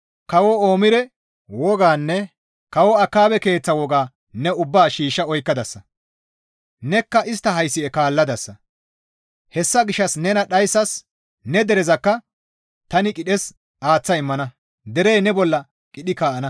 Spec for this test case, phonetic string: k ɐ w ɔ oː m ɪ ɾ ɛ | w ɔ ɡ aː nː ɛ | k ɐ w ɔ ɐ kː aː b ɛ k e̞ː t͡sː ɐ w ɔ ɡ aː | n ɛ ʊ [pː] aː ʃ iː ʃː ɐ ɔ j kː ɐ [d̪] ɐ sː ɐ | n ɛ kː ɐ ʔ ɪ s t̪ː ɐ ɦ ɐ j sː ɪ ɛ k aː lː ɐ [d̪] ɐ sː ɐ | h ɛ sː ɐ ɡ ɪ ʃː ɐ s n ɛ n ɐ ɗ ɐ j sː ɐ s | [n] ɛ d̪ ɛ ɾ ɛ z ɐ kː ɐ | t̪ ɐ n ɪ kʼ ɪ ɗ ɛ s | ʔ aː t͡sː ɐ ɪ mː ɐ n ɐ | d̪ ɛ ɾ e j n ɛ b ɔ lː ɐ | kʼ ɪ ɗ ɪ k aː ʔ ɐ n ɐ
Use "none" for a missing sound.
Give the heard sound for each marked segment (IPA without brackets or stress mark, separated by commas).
bː, d̪, d̪, n